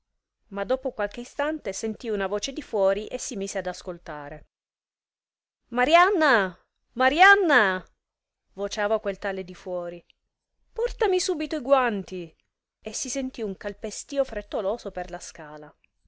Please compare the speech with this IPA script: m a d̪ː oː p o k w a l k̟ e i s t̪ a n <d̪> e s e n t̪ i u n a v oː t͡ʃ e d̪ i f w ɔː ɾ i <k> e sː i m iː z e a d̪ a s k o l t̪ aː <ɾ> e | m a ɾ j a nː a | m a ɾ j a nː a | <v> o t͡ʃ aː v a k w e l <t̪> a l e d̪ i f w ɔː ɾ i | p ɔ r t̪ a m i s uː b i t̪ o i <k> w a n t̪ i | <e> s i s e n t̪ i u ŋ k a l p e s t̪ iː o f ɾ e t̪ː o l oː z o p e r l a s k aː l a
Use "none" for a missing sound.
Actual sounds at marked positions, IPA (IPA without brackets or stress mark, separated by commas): t̪, ʔ, ɾ, v, t̪, ɡ, e